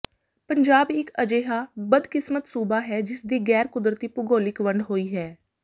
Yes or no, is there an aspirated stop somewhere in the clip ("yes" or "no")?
no